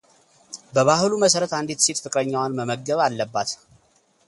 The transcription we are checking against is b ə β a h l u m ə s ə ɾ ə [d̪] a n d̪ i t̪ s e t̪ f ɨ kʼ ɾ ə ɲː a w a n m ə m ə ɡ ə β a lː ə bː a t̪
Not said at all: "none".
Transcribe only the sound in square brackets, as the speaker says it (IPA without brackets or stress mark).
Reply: t̪